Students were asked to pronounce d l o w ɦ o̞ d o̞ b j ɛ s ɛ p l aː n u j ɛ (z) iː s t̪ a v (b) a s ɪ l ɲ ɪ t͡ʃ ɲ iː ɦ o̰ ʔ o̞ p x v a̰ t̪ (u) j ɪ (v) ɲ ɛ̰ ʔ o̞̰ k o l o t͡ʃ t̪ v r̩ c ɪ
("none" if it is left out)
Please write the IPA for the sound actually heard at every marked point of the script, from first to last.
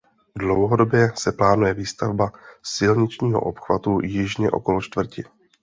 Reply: v, b, u, ʒ

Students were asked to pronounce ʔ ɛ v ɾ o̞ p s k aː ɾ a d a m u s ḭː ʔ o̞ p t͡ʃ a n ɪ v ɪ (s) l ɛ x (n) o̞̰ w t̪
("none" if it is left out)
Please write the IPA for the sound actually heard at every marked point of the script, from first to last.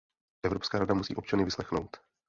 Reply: s, n

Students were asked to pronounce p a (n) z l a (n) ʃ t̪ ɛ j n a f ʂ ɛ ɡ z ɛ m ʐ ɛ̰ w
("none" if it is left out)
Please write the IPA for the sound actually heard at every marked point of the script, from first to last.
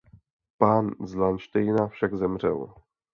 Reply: n, n

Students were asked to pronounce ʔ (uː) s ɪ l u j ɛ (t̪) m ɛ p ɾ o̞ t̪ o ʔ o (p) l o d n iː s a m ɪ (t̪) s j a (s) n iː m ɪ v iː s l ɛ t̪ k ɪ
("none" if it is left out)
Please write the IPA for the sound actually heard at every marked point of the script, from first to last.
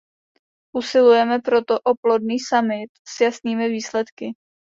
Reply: u, none, p, t̪, s

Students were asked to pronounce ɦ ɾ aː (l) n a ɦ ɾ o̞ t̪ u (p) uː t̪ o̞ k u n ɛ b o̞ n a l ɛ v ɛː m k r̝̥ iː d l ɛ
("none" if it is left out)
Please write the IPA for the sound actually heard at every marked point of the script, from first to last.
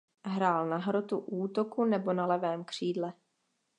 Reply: l, ʔ

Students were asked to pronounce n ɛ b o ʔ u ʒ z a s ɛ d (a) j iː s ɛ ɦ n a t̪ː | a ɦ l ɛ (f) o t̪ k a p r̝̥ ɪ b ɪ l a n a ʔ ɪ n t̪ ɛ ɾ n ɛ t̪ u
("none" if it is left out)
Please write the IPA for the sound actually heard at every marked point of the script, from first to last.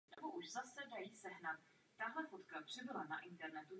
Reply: a, f

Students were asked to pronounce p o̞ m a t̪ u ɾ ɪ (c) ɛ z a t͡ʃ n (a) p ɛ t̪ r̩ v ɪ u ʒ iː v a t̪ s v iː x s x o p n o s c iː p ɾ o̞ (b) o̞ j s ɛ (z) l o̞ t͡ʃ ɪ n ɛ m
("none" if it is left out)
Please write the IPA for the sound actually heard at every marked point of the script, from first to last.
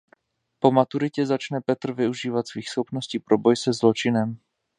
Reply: c, ɛ, b, z

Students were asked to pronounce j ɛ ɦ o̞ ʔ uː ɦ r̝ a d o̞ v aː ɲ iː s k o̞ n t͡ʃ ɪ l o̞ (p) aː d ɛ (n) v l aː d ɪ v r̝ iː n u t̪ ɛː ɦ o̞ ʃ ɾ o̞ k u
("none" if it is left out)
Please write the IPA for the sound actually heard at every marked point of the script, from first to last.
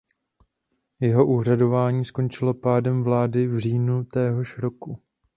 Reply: p, m

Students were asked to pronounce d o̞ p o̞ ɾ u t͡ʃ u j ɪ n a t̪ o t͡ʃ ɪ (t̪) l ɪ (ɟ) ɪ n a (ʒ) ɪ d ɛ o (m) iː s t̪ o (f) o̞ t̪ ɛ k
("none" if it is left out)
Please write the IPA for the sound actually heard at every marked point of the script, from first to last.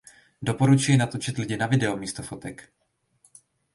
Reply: t̪, ɟ, v, m, f

